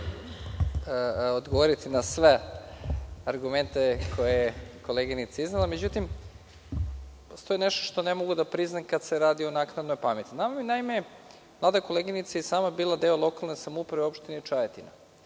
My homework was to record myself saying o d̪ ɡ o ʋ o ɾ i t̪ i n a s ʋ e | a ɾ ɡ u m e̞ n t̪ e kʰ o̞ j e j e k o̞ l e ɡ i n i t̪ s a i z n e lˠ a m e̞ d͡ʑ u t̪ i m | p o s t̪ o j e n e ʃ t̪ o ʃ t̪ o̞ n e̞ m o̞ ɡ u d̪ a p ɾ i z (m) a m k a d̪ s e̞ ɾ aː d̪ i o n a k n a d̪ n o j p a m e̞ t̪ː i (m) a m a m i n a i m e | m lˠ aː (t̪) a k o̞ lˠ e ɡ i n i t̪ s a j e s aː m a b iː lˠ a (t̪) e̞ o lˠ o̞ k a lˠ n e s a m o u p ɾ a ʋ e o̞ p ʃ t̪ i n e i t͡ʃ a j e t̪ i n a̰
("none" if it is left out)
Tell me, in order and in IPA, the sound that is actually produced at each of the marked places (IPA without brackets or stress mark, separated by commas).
n, n, d̪, d̪